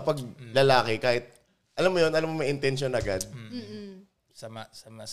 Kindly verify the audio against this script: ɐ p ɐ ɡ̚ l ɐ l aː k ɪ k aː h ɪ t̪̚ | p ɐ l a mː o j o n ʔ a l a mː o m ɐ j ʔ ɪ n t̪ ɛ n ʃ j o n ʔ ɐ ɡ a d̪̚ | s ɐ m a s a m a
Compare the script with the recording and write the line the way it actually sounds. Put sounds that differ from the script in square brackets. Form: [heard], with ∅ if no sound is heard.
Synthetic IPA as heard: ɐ p ɐ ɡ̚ l ɐ l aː k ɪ k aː h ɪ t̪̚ | [ʔ] ɐ l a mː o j o n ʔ [ɐ] l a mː o m ɐ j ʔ ɪ n t̪ ɛ n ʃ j o n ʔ ɐ ɡ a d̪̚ | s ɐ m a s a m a